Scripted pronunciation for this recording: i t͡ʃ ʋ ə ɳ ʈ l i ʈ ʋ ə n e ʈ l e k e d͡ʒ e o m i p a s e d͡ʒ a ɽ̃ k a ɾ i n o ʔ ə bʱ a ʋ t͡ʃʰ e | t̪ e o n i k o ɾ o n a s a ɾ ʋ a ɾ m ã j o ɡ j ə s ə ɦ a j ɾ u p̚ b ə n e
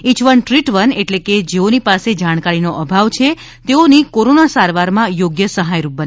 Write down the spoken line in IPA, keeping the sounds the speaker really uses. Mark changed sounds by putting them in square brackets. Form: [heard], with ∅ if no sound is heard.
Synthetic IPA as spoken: i t͡ʃ ʋ ə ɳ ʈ [ɾ] i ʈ ʋ ə n e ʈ l e k e d͡ʒ e o [n] i p a s e d͡ʒ a ɽ̃ k a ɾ i n o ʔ ə bʱ a ʋ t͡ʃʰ e | t̪ e o n i k o ɾ o n a s a ɾ ʋ a ɾ m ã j o ɡ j ə s ə ɦ a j ɾ u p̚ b ə n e